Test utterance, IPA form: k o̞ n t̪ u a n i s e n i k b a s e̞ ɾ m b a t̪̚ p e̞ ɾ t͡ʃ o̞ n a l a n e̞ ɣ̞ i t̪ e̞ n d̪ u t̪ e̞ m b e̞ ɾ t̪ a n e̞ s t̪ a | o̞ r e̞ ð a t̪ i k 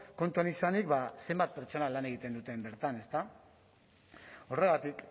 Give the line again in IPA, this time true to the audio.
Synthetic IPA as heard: k o̞ n t̪ u a n i s a n i k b a s e̞ m b a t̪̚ p e̞ ɾ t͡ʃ o̞ n a l a n e̞ ɣ̞ i t̪ e̞ n d̪ u t̪ e̞ m b e̞ ɾ t̪ a n e̞ s t̪ a | o̞ r e̞ ɣ a t̪ i k